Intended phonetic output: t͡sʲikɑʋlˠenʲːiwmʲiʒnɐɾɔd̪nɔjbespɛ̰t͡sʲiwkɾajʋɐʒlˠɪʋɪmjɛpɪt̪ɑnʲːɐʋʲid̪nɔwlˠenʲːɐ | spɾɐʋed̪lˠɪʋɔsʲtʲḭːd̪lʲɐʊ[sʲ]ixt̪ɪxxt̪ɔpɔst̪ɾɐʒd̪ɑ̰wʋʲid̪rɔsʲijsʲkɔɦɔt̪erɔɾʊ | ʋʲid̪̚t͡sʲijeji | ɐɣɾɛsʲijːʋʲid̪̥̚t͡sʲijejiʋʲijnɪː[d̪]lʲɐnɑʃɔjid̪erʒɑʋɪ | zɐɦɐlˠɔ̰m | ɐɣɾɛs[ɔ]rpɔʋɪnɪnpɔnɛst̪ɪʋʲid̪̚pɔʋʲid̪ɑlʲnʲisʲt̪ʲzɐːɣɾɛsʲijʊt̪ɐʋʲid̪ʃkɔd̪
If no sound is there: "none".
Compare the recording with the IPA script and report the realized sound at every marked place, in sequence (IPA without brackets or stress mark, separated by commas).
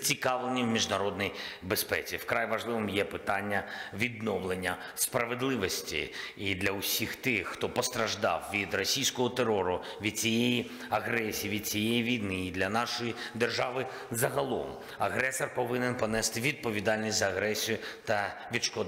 sʲ, d̪, ɔ